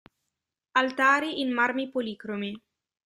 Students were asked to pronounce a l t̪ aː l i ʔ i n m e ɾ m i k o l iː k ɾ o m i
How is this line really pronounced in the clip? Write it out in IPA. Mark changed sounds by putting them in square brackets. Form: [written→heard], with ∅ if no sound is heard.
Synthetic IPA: a l t̪ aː [l→ɾ] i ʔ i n m [e→a] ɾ m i [k→p] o l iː k ɾ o m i